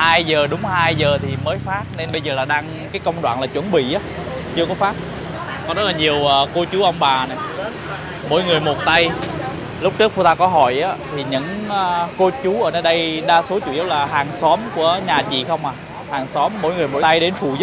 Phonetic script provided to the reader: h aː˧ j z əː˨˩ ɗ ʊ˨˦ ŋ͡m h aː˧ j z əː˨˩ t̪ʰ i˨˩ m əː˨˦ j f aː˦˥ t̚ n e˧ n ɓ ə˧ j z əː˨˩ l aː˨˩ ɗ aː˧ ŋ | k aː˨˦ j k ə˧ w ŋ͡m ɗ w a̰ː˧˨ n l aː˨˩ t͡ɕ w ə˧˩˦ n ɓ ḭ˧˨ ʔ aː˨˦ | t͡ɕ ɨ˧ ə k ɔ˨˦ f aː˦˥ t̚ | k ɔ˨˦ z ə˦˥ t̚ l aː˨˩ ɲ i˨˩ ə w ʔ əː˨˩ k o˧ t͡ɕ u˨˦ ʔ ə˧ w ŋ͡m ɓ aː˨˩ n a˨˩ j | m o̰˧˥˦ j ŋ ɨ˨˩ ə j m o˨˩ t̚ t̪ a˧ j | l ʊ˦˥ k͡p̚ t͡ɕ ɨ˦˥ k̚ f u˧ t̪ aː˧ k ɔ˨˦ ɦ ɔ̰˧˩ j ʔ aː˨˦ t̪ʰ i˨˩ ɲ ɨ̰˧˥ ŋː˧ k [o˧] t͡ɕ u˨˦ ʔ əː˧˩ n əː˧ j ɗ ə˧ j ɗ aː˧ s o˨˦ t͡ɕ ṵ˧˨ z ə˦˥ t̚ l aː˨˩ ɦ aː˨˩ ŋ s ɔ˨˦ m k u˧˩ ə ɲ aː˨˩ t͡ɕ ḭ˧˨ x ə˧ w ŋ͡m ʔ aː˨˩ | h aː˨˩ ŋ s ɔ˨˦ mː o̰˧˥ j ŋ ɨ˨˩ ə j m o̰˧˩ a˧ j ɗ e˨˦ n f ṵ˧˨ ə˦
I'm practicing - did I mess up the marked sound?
no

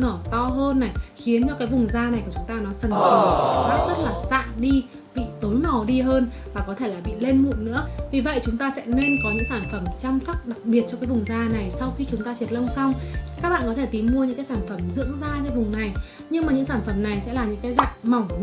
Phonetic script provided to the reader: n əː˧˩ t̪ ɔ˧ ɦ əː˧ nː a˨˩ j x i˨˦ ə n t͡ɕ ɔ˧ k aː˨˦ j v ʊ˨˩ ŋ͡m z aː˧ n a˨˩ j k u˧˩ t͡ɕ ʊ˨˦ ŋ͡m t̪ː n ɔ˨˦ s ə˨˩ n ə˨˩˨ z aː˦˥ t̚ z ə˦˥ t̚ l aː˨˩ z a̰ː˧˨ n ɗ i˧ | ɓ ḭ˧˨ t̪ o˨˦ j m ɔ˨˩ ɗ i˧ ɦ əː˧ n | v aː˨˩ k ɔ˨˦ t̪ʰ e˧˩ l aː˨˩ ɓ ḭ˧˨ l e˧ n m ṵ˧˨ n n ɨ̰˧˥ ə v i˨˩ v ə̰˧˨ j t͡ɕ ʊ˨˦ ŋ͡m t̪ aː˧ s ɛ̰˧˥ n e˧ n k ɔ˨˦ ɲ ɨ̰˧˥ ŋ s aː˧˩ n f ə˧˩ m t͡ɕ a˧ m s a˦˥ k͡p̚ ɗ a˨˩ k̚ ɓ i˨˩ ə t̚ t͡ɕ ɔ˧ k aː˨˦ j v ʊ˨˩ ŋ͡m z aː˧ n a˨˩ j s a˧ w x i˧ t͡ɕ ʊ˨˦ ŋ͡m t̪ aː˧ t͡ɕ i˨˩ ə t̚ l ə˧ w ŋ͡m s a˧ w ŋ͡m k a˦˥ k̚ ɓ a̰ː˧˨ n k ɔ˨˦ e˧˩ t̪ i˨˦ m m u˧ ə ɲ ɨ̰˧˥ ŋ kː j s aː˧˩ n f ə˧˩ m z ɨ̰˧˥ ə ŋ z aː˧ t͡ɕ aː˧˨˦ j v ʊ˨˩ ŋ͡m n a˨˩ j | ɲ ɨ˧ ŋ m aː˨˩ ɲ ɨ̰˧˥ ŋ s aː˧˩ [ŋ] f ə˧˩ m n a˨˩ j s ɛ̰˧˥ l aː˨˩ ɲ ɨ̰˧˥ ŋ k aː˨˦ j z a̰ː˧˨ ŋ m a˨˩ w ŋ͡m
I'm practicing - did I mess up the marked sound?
yes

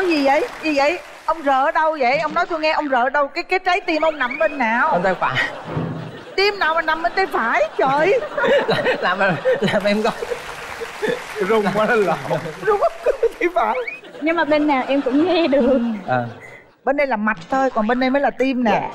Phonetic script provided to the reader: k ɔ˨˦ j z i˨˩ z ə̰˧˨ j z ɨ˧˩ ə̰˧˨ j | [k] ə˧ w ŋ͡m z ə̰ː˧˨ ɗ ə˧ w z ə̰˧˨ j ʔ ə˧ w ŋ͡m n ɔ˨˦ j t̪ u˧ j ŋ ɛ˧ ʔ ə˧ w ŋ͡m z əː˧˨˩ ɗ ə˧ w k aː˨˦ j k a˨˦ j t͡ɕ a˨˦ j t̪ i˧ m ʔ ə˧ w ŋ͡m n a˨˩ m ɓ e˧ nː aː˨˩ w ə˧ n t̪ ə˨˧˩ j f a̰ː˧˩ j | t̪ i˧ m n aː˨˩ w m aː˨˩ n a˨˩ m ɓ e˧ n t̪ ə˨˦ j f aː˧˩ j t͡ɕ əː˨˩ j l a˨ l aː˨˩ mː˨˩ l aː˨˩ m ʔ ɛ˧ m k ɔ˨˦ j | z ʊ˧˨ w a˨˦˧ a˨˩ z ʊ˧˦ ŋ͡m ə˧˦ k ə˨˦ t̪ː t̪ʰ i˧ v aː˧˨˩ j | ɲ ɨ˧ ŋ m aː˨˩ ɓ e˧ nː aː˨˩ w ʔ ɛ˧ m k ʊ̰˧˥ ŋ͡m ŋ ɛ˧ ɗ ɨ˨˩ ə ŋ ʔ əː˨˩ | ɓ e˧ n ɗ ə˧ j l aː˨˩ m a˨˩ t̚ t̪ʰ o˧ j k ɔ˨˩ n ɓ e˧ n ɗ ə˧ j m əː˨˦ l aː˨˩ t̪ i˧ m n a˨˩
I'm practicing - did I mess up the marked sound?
yes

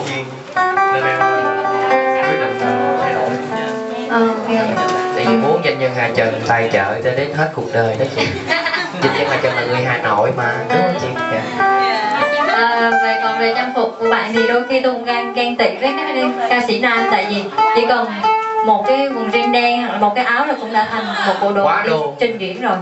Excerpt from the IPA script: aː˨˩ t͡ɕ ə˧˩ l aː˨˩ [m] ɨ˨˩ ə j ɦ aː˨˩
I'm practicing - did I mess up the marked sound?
yes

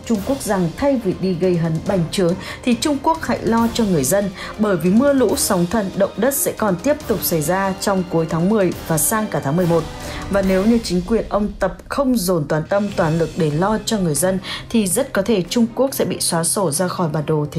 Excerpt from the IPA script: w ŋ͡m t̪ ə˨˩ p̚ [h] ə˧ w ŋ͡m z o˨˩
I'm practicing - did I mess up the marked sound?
yes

